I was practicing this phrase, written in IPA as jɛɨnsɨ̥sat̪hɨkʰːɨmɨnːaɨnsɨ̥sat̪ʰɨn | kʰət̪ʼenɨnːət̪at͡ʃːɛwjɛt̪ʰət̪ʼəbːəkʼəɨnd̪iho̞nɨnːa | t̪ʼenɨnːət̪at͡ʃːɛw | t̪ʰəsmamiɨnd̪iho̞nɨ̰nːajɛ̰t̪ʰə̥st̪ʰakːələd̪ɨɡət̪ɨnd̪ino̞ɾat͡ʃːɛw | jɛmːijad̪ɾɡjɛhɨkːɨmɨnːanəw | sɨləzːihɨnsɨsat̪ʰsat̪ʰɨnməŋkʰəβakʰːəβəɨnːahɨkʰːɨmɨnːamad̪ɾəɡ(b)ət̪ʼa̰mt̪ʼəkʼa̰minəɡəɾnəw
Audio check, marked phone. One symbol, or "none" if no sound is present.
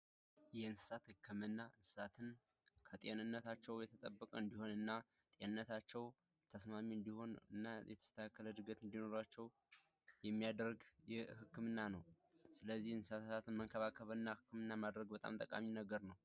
b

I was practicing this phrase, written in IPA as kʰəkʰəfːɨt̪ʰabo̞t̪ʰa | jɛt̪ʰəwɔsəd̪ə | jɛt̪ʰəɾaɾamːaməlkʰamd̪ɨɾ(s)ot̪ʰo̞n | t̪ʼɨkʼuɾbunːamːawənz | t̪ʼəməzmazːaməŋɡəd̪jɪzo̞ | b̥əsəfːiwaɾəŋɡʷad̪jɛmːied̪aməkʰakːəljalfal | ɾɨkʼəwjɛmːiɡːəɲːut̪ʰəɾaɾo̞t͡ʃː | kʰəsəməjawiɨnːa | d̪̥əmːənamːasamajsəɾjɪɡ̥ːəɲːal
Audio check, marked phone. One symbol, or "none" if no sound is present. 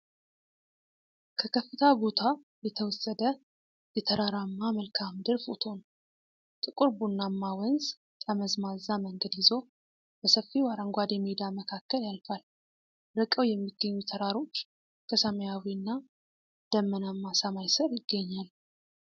f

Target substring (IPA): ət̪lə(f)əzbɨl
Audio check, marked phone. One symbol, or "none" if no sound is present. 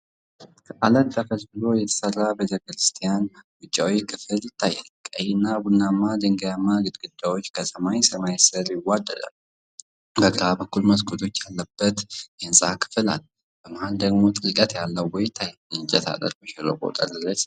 f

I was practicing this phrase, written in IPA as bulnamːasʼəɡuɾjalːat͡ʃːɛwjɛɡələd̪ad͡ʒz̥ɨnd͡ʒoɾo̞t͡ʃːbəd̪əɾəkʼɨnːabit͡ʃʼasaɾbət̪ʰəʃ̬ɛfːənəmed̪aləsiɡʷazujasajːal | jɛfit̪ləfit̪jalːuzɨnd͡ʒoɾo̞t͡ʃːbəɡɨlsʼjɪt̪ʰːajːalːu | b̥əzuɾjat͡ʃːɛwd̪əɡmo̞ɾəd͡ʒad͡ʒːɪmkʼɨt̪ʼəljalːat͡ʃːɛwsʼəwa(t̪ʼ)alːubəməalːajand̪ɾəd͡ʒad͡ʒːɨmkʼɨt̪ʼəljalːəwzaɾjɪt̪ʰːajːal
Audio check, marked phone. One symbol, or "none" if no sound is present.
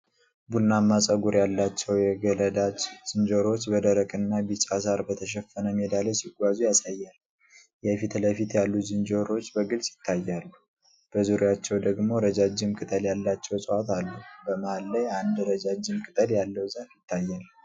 t̪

